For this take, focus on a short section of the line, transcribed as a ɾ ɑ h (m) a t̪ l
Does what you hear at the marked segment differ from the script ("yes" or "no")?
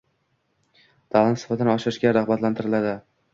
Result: yes